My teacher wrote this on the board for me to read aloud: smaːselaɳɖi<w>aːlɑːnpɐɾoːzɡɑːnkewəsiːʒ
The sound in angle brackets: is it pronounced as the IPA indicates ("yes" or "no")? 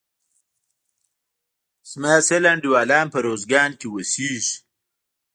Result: yes